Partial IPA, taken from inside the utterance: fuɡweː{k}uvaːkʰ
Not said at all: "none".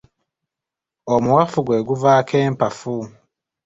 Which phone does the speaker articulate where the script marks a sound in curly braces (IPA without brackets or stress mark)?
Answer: ɡ